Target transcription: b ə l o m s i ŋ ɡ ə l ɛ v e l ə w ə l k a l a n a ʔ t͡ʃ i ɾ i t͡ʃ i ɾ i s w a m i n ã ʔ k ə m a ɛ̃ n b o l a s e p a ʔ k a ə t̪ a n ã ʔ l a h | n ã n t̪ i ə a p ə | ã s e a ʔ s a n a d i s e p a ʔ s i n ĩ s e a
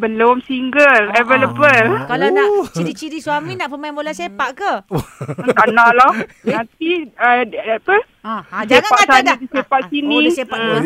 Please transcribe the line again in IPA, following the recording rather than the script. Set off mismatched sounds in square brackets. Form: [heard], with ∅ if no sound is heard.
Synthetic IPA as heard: b ə l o m s i ŋ ɡ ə l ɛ v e l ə [b] ə l k a l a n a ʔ t͡ʃ i ɾ i t͡ʃ i ɾ i s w a m i n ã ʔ [p] ə m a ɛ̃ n b o l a s e p a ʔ k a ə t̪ a n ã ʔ l a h | n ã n t̪ i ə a p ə | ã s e a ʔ s a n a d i s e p a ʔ s i n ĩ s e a